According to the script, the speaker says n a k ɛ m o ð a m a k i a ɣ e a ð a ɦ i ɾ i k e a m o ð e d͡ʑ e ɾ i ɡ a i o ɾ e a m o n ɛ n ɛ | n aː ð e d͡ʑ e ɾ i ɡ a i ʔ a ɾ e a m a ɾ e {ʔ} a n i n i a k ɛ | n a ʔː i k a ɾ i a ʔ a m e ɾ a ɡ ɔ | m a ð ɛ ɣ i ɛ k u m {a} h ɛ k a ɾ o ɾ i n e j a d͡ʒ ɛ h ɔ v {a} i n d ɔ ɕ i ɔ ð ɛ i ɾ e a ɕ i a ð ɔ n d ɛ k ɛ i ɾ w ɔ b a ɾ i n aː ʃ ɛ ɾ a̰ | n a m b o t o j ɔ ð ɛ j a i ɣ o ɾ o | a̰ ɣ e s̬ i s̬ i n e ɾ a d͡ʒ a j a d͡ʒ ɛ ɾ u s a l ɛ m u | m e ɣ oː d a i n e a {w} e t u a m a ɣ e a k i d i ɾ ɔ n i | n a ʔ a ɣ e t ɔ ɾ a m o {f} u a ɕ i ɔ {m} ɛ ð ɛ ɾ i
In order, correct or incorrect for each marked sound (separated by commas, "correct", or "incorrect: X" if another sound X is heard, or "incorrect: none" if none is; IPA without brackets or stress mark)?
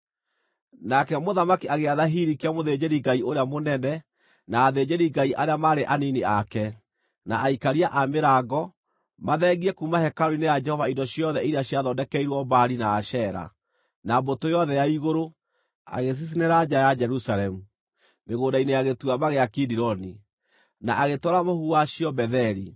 correct, correct, correct, incorrect: ɣ, incorrect: h, incorrect: b